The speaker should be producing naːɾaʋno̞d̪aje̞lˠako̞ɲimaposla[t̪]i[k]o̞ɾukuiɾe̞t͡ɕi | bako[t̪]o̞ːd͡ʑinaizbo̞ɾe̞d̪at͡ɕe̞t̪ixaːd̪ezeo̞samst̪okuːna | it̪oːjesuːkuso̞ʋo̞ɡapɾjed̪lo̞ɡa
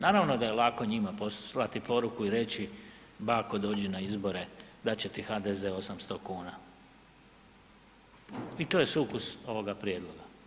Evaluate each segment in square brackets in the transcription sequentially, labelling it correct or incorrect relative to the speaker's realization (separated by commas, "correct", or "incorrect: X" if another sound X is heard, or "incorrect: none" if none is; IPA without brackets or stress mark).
correct, incorrect: p, incorrect: d̪